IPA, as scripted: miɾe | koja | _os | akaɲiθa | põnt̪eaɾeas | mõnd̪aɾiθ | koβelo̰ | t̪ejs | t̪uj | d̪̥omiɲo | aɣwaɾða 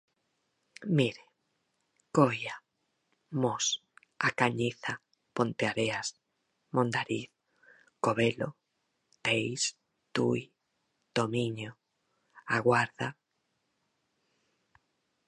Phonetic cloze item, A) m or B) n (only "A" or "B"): A